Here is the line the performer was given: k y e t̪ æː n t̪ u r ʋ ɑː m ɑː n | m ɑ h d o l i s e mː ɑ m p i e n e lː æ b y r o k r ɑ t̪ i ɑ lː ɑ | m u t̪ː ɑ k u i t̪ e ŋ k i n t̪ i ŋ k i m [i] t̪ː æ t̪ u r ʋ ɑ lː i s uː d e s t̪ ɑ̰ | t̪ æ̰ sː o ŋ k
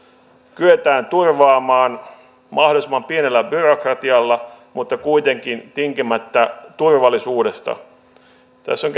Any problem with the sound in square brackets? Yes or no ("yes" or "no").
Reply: yes